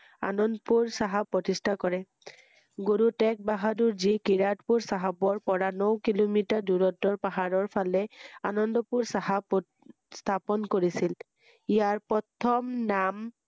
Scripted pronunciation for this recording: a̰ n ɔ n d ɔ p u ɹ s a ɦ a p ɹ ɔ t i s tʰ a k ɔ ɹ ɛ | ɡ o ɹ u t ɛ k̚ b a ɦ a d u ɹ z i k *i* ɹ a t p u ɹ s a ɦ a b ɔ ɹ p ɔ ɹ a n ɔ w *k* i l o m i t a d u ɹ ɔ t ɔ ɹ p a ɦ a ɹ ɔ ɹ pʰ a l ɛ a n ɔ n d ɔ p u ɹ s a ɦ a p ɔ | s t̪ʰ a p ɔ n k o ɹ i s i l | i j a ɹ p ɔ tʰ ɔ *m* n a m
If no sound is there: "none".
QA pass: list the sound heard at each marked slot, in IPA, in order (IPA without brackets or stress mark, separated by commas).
i, k, m